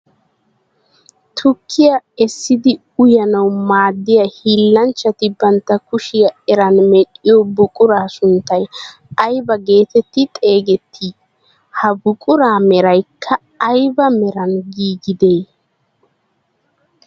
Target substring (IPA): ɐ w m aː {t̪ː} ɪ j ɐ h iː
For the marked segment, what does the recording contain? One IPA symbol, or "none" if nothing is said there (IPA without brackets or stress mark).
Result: d̪ː